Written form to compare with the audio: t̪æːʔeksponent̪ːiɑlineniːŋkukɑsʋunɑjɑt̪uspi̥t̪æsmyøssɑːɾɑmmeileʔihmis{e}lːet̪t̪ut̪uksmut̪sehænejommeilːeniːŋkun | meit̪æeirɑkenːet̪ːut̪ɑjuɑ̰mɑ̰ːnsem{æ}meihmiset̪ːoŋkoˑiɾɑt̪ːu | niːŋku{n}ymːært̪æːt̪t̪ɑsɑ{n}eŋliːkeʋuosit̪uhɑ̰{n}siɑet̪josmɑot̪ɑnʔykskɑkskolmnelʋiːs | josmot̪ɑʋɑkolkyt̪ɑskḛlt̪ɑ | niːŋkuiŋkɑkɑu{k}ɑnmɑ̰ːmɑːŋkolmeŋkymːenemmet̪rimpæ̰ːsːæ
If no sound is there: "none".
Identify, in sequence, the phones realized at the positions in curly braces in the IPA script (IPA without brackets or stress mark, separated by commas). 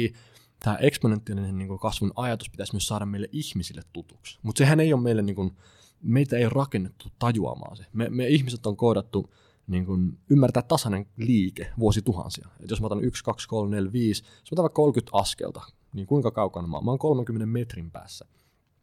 i, e, n, n, n, k